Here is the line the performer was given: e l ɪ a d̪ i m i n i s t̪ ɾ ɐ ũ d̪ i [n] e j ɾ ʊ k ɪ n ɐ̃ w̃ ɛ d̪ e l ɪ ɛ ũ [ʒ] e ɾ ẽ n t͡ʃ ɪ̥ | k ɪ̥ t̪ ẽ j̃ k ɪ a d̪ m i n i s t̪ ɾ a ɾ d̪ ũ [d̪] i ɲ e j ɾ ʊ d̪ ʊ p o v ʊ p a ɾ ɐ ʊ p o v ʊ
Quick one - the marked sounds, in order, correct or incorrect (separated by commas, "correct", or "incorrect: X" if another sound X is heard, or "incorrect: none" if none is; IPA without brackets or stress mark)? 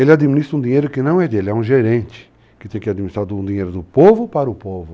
incorrect: ɲ, correct, correct